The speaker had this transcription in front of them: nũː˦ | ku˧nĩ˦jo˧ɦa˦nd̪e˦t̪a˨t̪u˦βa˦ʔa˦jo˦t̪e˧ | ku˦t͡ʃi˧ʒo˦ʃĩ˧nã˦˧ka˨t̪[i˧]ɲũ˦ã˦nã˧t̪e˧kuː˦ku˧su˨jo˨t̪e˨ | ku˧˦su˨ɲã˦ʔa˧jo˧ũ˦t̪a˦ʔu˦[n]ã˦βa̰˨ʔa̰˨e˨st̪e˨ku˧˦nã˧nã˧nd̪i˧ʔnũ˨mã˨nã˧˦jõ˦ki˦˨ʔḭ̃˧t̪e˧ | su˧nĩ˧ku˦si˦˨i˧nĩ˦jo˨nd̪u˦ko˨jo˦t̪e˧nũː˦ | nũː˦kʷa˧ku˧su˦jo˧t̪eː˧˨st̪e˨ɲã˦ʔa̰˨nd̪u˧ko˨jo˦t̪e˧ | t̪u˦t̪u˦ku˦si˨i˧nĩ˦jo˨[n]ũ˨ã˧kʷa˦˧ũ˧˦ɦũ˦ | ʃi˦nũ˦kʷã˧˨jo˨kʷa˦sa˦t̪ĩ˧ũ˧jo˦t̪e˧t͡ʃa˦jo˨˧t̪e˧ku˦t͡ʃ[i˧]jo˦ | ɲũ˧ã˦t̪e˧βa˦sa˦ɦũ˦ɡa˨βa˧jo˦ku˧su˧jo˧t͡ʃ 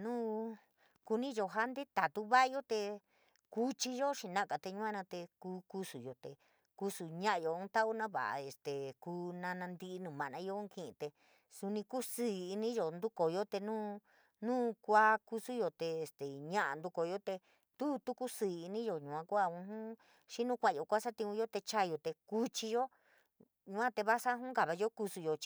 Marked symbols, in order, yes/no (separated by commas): no, yes, no, yes